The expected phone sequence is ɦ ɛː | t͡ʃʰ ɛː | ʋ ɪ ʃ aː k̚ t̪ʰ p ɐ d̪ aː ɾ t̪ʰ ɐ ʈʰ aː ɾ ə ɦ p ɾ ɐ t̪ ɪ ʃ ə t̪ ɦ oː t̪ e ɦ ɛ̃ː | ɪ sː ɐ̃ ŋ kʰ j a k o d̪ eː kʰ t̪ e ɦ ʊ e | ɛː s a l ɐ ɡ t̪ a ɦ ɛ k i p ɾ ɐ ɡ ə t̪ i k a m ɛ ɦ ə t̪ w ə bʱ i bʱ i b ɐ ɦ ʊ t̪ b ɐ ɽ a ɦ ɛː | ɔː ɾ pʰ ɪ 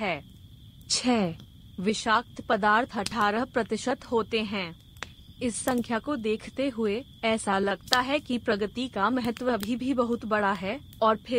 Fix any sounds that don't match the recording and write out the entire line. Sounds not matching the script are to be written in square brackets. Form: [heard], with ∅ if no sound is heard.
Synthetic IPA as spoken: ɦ ɛː | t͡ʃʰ ɛː | ʋ ɪ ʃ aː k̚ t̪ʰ p ɐ d̪ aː ɾ t̪ʰ ɐ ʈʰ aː ɾ ə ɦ p ɾ ɐ t̪ ɪ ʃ ə t̪ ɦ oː t̪ e ɦ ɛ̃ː | ɪ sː ɐ̃ ŋ kʰ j a k o d̪ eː kʰ t̪ e ɦ ʊ e | ɛː s a l ɐ ɡ t̪ a ɦ ɛ k i p ɾ ɐ ɡ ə t̪ i k a m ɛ ɦ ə t̪ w ə bʱ i bʱ i b ɐ ɦ ʊ t̪ b ɐ ɽ a ɦ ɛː | ɔː ɾ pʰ ɪ